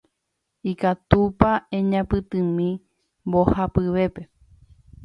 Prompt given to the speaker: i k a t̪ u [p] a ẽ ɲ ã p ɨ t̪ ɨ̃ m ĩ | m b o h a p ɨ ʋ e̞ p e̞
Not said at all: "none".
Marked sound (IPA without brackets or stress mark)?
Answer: p